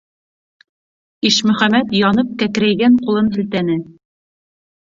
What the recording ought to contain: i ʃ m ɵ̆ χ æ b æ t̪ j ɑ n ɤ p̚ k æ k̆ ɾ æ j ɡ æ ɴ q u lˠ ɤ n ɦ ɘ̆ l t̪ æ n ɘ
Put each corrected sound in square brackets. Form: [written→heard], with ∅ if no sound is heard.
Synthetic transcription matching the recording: i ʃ m ɵ̆ χ æ [b→m] æ t̪ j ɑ n ɤ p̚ k æ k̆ ɾ æ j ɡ æ ɴ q u lˠ ɤ n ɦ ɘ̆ l t̪ æ n ɘ